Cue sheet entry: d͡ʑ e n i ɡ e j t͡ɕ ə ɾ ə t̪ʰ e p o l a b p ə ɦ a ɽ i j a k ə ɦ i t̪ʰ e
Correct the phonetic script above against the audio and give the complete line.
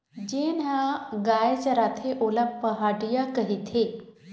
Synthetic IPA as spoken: d͡ʑ e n a ɡ a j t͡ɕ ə ɾ a t̪ʰ e ʔ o l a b p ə ɦ a ɽ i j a k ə ɦ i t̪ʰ e